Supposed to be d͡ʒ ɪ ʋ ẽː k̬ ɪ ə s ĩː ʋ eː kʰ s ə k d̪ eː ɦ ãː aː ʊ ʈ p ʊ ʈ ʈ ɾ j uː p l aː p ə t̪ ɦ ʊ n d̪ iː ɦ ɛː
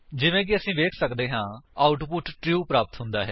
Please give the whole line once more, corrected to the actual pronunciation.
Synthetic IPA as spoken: d͡ʒ ɪ ʋ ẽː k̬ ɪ ə s ĩː ʋ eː kʰ s ə k d̪ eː ɦ ãː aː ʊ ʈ p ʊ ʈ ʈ ɾ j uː p ɾ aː p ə t̪ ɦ ʊ n d̪ aː ɦ ɛː